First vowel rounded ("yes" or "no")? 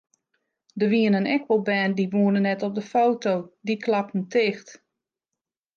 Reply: no